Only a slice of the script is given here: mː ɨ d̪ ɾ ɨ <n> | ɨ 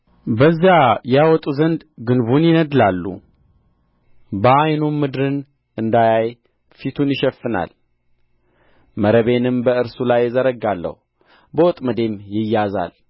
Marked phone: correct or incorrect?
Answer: correct